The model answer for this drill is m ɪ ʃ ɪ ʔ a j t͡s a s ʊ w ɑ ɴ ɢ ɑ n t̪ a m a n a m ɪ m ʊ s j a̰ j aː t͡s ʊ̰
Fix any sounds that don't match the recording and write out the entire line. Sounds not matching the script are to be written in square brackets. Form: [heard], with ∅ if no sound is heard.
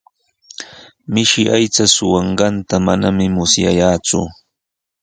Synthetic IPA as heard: m ɪ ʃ ɪ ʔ a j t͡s a s ʊ w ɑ ɴ ɢ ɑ n t̪ a m a n a m ɪ m ʊ s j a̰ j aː t͡s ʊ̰